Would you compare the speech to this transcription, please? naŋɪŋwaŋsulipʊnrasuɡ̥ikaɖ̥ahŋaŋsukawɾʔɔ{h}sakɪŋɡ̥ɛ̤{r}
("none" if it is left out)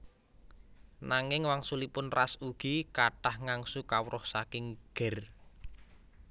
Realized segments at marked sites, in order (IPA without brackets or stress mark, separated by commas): h, r